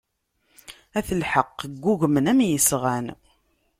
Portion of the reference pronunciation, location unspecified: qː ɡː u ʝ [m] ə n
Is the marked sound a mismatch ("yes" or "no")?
no